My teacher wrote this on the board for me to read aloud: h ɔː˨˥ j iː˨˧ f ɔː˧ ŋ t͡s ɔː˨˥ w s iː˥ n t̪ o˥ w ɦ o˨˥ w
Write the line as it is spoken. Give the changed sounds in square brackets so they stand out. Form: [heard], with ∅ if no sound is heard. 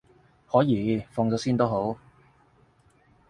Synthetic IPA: h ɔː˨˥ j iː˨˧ f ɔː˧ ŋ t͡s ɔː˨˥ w s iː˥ n t̪ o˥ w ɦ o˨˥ w